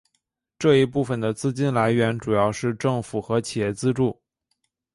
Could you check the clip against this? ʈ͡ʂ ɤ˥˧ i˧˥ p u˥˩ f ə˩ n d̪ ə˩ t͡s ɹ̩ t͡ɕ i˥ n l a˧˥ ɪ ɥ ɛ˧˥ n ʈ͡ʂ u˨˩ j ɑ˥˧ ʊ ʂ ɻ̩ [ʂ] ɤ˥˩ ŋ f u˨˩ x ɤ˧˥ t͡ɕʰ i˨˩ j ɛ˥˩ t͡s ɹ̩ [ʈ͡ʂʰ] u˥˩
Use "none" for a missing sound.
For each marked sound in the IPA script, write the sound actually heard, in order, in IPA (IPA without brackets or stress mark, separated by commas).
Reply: ʈ͡ʂ, ʈ͡ʂ